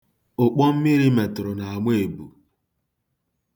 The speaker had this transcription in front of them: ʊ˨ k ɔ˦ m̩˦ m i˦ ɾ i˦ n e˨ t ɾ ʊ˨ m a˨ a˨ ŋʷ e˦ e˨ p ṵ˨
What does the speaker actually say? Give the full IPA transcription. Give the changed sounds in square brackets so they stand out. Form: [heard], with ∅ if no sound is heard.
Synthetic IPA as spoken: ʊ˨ [k͡p] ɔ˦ m̩˦ m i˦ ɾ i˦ [m] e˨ t ɾ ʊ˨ [n] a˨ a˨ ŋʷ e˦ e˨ [b] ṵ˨